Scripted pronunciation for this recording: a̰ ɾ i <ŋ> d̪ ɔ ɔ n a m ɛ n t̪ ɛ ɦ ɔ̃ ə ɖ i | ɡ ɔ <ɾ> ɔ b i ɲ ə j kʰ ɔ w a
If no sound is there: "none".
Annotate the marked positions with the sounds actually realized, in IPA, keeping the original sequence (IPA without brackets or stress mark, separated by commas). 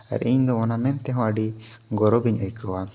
ɲ, ɾ